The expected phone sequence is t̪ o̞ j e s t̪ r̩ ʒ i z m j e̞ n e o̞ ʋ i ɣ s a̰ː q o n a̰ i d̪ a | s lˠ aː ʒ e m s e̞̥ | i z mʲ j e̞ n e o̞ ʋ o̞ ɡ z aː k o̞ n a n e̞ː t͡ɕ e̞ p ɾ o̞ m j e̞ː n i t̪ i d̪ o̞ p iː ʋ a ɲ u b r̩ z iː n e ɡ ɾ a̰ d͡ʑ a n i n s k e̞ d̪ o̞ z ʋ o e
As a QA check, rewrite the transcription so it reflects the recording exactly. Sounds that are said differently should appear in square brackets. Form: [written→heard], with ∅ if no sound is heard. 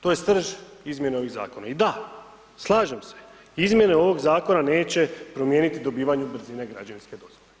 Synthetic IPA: t̪ o̞ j e s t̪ r̩ ʒ i z m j e̞ n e o̞ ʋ i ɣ [s→z] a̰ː [q→k] o n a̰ i d̪ a | s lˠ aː ʒ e m s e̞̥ | i z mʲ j e̞ n e o̞ ʋ o̞ ɡ z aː k o̞ n a n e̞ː t͡ɕ e̞ p ɾ o̞ m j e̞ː n i t̪ i d̪ o̞ [p→b] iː ʋ a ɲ u b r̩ z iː n e ɡ ɾ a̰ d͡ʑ a n i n s k e̞ d̪ o̞ z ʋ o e